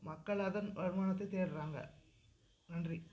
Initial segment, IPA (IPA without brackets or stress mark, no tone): m